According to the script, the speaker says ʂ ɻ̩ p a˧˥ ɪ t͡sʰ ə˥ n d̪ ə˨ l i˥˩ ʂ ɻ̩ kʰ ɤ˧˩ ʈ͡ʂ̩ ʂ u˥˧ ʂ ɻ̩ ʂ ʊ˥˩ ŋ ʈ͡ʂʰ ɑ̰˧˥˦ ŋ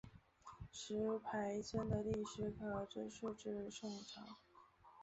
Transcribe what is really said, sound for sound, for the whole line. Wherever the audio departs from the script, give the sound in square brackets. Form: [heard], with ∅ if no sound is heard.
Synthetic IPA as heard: ʂ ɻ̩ [pʰ] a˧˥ ɪ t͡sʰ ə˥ n d̪ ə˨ l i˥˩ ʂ ɻ̩ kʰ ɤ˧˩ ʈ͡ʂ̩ ʂ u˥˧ [ʈ͡ʂ] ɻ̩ ʂ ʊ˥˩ ŋ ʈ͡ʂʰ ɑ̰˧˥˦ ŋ